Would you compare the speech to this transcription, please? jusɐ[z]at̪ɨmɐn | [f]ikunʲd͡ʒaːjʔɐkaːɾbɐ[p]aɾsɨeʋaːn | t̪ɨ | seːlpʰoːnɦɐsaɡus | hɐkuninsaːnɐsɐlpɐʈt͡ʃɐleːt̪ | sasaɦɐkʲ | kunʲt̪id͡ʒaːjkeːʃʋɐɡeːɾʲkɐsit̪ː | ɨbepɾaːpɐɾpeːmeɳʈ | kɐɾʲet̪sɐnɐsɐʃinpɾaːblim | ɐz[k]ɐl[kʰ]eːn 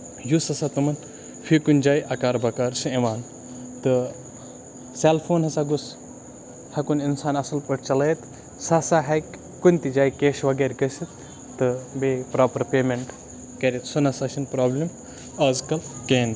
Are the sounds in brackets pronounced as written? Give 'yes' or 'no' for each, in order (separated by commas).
no, yes, no, yes, no